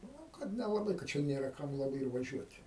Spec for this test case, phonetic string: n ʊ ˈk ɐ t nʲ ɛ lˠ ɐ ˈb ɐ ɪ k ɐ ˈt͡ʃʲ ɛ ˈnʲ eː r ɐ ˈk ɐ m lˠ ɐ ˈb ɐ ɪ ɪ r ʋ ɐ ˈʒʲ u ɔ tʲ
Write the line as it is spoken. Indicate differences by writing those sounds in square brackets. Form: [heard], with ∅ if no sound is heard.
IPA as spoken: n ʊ ˈk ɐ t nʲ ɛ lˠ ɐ ˈb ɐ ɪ k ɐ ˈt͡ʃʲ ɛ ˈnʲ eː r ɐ ˈk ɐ m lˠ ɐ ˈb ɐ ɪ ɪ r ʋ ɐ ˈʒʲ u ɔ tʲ